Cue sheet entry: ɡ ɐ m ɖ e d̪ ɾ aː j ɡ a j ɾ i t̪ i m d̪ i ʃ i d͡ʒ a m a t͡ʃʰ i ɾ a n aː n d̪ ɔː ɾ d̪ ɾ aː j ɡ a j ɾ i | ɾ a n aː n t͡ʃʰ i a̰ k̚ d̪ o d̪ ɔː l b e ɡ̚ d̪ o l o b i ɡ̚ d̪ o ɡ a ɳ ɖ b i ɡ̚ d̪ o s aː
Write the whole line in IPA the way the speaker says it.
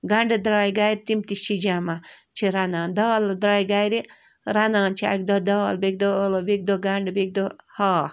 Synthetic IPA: ɡ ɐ ɳ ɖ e d̪ ɾ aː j ɡ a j ɾ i t̪ i m t̪ i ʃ i d͡ʒ a m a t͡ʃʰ i ɾ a n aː n d̪ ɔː l d̪ ɾ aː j ɡ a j ɾ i | ɾ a n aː n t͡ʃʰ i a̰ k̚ d̪ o d̪ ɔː l b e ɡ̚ d̪ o l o b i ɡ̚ d̪ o ɡ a ɳ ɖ b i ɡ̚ d̪ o h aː